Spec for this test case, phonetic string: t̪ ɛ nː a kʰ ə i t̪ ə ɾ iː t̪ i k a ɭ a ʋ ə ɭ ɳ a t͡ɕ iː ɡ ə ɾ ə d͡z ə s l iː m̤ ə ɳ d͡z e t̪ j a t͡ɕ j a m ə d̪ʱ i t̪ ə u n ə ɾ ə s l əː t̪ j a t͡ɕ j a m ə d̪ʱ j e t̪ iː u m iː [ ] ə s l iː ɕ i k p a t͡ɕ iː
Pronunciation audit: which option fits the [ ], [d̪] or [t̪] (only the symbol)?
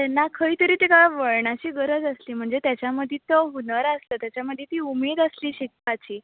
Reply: d̪